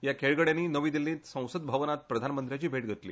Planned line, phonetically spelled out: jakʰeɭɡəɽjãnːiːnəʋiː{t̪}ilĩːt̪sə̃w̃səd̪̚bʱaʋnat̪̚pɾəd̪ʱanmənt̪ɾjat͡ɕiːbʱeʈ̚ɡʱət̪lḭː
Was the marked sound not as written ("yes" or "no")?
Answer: yes